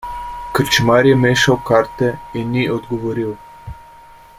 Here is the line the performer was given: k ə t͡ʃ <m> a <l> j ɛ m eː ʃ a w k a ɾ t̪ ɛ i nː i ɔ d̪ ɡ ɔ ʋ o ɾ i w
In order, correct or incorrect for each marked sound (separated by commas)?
correct, incorrect